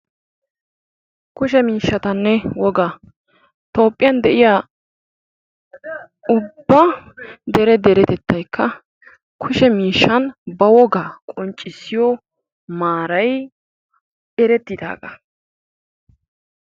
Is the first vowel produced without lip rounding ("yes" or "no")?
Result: no